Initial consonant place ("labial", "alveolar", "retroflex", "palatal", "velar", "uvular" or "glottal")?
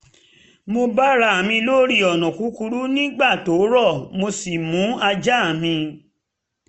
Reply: labial